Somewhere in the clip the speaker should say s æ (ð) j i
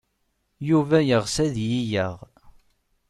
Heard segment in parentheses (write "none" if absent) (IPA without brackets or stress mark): ð